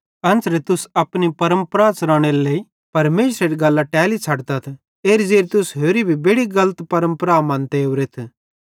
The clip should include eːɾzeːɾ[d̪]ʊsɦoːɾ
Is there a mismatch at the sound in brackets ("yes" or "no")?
yes